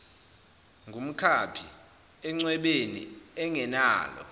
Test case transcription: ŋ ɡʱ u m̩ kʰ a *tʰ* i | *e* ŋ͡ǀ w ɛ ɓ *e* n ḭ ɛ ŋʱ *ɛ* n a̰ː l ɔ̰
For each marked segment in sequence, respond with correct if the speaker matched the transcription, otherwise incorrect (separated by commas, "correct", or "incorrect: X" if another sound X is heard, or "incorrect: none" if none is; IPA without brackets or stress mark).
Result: incorrect: pʰ, incorrect: ɛ, correct, correct